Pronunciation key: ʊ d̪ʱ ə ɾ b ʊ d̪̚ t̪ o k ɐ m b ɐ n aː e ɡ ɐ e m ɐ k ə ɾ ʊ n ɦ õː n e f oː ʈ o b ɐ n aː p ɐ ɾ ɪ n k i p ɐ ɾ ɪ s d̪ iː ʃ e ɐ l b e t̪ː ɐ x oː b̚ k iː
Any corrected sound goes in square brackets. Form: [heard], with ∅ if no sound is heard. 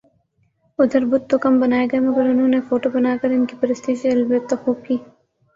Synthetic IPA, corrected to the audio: ʊ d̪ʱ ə ɾ b ʊ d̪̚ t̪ o k ɐ m b ɐ n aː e ɡ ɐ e m ɐ [ɡ] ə ɾ ʊ n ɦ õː n e f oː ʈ o b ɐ n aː [k] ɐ ɾ ɪ n k i p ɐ ɾ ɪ s [t̪] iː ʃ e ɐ l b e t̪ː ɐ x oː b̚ k iː

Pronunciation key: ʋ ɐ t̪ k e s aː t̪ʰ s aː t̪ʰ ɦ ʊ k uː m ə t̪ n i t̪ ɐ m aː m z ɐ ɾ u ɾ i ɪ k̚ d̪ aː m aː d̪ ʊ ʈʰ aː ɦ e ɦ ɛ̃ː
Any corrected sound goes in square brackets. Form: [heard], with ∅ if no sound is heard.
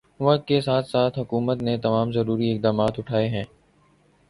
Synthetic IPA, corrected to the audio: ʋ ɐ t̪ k e s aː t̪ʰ s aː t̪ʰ ɦ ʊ k uː m ə t̪ n [e] t̪ ɐ m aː m z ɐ ɾ [uː] ɾ i ɪ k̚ d̪ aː m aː [t̪] ʊ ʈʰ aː [∅] e ɦ ɛ̃ː

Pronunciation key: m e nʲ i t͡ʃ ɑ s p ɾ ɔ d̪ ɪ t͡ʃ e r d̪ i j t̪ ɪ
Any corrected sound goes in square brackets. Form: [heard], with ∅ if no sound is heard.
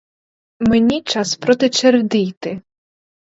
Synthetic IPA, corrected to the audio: m e nʲ i t͡ʃ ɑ s p ɾ ɔ [t̪] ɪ t͡ʃ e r d̪ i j t̪ ɪ

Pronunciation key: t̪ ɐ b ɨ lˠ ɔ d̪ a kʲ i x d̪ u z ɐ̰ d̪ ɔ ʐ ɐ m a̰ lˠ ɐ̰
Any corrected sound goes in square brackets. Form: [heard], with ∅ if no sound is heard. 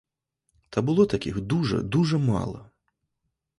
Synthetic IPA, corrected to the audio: t̪ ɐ b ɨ lˠ ɔ [t̪] a kʲ i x d̪ u [ʐ] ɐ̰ d̪ [u] ʐ ɐ m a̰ lˠ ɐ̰

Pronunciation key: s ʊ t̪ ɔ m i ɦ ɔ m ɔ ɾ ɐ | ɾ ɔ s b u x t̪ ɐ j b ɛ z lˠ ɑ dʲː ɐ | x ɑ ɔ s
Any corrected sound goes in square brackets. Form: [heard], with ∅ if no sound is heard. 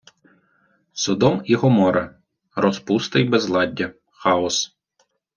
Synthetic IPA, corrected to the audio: s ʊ [d̪] ɔ m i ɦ ɔ m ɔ ɾ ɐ | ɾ ɔ s [p] u [s] t̪ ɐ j b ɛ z lˠ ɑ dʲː ɐ | x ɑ ɔ s

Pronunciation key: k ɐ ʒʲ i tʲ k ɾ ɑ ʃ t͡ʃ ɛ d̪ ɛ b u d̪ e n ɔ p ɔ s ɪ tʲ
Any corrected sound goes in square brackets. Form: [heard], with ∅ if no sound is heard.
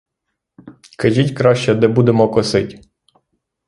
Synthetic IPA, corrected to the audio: k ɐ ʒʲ i tʲ k ɾ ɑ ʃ t͡ʃ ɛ d̪ ɛ b u d̪ e [m] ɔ [k] ɔ s ɪ tʲ

